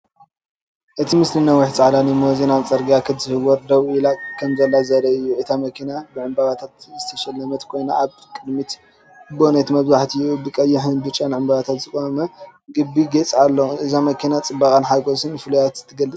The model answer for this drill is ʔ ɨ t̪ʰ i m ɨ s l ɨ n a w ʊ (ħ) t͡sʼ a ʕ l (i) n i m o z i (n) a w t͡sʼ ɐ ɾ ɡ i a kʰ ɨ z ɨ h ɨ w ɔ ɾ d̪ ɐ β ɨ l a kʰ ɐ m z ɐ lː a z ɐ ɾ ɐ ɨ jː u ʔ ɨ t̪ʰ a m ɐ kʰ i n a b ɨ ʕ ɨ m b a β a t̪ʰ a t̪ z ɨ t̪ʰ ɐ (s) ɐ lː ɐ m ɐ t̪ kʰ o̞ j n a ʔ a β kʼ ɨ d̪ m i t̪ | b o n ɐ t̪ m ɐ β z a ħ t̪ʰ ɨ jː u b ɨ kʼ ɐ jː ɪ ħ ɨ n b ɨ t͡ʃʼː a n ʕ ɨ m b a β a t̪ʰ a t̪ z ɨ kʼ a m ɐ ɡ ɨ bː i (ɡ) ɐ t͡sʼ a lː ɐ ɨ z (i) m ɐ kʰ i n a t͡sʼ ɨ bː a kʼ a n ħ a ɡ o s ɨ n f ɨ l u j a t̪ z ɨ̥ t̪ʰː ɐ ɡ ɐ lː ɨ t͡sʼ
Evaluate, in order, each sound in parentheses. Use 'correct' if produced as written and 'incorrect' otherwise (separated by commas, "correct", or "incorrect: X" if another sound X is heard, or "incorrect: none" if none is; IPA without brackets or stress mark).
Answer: correct, incorrect: a, correct, incorrect: ʃ, correct, incorrect: a